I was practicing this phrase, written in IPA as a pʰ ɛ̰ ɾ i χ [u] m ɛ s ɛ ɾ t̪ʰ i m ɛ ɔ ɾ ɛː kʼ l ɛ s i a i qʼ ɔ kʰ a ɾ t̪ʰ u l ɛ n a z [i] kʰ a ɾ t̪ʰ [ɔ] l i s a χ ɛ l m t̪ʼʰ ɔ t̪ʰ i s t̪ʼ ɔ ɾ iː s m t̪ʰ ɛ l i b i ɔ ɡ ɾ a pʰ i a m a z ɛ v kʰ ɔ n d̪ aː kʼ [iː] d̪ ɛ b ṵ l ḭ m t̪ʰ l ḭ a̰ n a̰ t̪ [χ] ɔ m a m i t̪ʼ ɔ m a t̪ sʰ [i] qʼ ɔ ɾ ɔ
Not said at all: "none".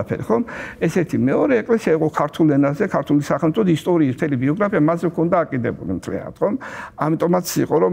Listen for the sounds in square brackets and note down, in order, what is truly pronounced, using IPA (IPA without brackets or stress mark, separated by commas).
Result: ɔ, ɛ, u, i, χ, i